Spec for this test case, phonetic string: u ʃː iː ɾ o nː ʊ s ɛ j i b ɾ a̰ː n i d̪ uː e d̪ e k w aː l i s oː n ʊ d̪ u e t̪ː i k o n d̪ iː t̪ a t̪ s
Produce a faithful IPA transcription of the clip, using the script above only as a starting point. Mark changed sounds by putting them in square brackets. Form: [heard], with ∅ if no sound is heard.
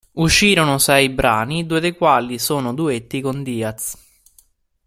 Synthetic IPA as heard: u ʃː iː ɾ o [n] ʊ s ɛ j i b ɾ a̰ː n i d̪ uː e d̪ e k w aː l i s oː n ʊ d̪ u e t̪ː i k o n d̪ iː [∅] a t̪ s

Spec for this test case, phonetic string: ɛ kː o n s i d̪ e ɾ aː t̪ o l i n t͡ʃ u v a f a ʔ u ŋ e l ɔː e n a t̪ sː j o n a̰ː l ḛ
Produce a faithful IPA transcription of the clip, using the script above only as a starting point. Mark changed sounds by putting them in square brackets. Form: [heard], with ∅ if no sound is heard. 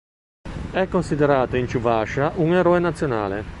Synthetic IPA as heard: ɛ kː o n s i d̪ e ɾ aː t̪ o [∅] i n t͡ʃ u v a [ʃ] a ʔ u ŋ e [ɾ] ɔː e n a t̪ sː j o n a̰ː l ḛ

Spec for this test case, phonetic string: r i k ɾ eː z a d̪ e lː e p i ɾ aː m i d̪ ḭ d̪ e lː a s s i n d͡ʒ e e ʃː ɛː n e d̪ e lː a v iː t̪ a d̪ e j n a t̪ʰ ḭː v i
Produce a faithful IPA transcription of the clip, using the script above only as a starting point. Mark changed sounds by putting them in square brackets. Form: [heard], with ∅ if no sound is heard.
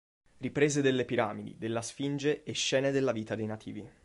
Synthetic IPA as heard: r i [p] ɾ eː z [e] d̪ e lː e p i ɾ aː m i d̪ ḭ d̪ e lː a s [f] i n d͡ʒ e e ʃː ɛː n e d̪ e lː a v iː t̪ a d̪ e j n a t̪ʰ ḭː v i

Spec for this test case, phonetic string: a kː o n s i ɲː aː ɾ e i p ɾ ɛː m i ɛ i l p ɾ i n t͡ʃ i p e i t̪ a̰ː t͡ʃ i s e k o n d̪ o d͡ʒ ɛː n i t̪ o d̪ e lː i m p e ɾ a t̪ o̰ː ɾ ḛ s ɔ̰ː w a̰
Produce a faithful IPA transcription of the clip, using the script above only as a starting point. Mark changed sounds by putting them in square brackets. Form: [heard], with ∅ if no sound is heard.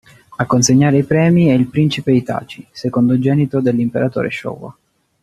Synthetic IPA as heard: a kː o n s [e] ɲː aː ɾ e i p ɾ ɛː m i ɛ i l p ɾ i n t͡ʃ i p e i t̪ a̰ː t͡ʃ i s e k o n d̪ o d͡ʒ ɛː n i t̪ o d̪ e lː i m p e ɾ a t̪ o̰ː ɾ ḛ [ʃ] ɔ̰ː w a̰

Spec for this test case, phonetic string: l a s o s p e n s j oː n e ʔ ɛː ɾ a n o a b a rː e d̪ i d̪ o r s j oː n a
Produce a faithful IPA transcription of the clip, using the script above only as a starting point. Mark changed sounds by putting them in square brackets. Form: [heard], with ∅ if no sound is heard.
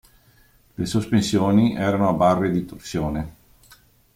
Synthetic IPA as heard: l [e] s o s p e n s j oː n [i] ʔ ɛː ɾ a n o a b a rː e d̪ i [t̪] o r s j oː n [e]

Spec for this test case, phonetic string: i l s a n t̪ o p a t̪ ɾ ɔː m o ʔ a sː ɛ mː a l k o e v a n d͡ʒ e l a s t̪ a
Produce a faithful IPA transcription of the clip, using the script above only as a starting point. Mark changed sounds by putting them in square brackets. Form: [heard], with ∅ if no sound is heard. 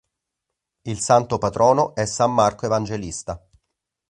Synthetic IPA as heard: i l s a n t̪ o p a t̪ ɾ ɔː [n] o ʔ [ɛ] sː [a] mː a [r] k o e v a n d͡ʒ e l [i] s t̪ a

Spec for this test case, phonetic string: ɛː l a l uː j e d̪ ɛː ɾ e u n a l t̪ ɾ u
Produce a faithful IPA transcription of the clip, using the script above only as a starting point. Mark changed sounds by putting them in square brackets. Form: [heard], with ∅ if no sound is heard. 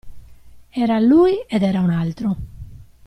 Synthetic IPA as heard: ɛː [ɾ] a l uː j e d̪ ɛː ɾ [a] u n a l t̪ ɾ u

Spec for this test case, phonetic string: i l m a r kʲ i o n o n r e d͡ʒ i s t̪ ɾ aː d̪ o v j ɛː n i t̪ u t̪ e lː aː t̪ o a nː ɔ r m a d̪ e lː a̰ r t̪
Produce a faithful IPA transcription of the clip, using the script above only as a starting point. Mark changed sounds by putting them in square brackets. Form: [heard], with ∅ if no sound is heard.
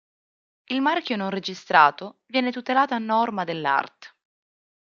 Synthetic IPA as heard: i l m a r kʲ [j] o n o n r e d͡ʒ i s t̪ ɾ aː [t̪] o v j ɛː n [e] t̪ u t̪ e [l] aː t̪ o a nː ɔ r m a d̪ e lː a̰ r t̪

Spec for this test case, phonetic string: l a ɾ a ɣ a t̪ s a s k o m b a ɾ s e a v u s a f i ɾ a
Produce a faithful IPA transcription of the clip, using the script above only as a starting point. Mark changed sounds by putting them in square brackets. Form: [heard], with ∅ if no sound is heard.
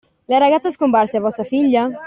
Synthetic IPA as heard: l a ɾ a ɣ a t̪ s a s k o m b a ɾ s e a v [ɔ] s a f i [ʎ] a

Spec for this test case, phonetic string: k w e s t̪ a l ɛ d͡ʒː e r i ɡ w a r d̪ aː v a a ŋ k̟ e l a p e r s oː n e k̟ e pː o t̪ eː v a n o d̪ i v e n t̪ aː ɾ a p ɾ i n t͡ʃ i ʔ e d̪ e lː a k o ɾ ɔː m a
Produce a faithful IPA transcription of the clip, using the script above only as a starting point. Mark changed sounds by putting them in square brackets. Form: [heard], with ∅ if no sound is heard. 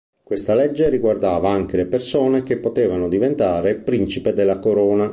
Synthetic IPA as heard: k w e s t̪ a l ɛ d͡ʒː e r i ɡ w a r d̪ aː v a a ŋ k̟ e l [e] p e r s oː n e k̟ e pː o t̪ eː v a n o d̪ i v e n t̪ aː ɾ [e] p ɾ i n t͡ʃ i [p] e d̪ e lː a k o ɾ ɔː [n] a

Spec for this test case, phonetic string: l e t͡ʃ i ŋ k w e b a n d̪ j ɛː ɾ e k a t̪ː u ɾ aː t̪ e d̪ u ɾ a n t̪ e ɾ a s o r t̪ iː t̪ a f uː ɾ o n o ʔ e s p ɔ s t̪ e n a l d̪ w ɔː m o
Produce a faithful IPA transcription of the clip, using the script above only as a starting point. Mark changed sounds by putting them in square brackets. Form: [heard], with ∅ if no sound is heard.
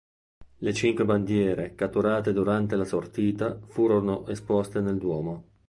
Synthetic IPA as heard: l e t͡ʃ i ŋ k w e b a n d̪ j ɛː ɾ e k a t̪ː u ɾ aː t̪ e d̪ u ɾ a n t̪ e [l] a s o r t̪ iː t̪ a f uː ɾ o n o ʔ e s p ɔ s t̪ e n [e] l d̪ w ɔː m o

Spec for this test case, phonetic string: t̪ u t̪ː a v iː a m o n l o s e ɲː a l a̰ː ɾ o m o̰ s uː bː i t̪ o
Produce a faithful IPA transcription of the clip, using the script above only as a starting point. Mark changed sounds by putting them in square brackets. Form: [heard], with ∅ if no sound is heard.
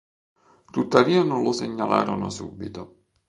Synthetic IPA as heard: t̪ u t̪ː a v iː a [n] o n l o s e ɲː a l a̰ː ɾ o [n] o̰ s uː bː i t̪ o

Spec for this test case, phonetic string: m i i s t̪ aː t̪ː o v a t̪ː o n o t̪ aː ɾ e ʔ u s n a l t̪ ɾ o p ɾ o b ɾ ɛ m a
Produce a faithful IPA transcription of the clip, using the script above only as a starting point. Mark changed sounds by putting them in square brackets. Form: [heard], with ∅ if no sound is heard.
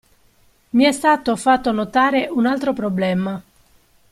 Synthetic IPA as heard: m i [ɛ] s t̪ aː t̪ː o [f] a t̪ː o n o t̪ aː ɾ e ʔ u [∅] n a l t̪ ɾ o p ɾ o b [l] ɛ m a

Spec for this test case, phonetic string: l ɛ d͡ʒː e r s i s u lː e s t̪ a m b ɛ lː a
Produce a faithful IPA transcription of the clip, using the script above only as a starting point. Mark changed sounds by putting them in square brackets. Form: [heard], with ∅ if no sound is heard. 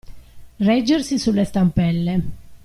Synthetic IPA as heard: [r] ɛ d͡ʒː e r s i s u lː e s t̪ a m [p] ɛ lː [e]

